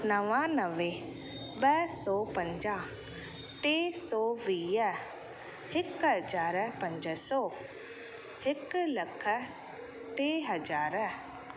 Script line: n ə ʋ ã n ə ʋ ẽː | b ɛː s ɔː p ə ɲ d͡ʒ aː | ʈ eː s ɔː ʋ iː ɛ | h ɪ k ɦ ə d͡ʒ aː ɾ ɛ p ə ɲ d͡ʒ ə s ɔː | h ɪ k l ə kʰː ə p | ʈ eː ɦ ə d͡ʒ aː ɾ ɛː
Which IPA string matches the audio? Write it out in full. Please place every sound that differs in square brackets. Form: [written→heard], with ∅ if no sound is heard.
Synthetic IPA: n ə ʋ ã n ə ʋ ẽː | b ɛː s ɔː p ə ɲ d͡ʒ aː | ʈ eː s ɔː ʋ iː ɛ | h ɪ k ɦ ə d͡ʒ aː ɾ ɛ p ə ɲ d͡ʒ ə s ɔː | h ɪ k l ə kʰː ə [p→∅] | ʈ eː ɦ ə d͡ʒ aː ɾ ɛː